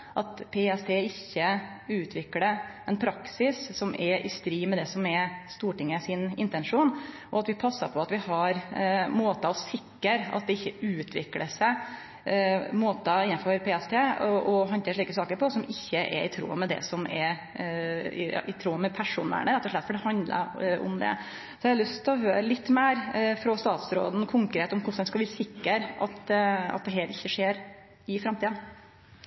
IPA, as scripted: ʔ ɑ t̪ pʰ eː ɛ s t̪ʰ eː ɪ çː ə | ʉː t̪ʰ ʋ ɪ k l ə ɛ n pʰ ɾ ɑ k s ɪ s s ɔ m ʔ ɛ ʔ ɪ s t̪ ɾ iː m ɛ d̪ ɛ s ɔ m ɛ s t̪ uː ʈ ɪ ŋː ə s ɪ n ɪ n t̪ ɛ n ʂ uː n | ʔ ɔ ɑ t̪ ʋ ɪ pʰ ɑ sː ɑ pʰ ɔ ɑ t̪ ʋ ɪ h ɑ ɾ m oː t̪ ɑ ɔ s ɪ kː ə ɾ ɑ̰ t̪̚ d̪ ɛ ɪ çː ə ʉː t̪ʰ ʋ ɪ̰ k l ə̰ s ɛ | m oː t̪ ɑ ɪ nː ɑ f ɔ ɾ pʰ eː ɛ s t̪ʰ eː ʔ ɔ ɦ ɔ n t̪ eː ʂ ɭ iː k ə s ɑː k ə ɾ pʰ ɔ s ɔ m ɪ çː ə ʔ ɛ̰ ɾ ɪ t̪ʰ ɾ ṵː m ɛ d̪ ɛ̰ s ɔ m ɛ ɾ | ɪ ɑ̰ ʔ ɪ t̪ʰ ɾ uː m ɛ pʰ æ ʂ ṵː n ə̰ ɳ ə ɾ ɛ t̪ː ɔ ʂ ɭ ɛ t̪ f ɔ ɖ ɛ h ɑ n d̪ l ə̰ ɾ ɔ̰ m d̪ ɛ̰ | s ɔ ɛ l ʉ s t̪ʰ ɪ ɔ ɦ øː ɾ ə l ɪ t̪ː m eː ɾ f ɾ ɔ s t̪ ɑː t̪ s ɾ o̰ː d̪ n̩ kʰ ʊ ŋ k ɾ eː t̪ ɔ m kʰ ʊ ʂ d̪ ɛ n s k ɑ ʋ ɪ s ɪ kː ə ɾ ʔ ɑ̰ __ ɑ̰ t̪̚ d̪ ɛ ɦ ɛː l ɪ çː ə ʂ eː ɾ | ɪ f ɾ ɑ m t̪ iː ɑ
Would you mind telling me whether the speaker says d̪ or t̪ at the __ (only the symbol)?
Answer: t̪